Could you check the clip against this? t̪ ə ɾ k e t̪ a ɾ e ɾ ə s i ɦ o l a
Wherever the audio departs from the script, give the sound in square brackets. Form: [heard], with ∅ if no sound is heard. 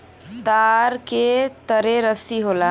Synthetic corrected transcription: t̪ [a] ɾ k e t̪ [ə] ɾ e ɾ ə s i ɦ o l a